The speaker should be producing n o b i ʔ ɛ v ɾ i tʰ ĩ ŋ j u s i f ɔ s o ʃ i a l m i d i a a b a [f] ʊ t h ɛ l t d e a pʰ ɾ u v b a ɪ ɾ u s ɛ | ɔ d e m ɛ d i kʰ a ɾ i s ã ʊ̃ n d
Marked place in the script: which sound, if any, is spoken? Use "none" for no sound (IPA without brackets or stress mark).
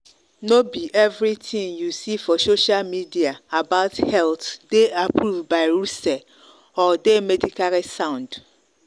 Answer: none